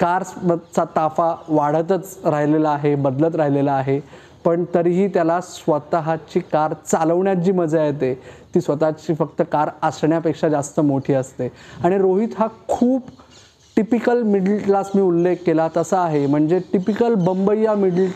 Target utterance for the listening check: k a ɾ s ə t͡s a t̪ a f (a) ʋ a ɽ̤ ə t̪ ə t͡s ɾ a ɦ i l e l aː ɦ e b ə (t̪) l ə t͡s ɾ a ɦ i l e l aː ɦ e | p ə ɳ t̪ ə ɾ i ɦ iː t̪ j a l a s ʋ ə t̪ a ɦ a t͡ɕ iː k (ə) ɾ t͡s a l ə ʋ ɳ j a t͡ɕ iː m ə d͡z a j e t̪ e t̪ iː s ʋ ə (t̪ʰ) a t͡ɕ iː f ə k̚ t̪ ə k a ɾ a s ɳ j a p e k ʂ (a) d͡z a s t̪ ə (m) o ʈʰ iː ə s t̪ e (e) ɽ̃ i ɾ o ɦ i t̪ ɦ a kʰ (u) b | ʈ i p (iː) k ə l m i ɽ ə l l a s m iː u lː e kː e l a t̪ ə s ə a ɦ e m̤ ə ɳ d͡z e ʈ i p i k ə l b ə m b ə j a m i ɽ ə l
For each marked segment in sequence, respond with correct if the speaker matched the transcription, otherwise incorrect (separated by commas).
correct, incorrect, incorrect, incorrect, correct, correct, incorrect, incorrect, incorrect